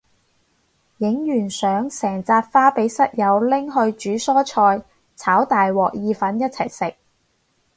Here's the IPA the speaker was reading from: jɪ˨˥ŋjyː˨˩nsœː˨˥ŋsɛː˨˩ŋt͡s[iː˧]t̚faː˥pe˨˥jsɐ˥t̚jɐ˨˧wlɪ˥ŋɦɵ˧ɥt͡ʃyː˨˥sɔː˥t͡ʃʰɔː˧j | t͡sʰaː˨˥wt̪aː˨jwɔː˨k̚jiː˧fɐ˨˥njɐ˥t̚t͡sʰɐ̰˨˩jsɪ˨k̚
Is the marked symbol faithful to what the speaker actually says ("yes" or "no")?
no